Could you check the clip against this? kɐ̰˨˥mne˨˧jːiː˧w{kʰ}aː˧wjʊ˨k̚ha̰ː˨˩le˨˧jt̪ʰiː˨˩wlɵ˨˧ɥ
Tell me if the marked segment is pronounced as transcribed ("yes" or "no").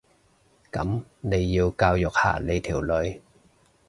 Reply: no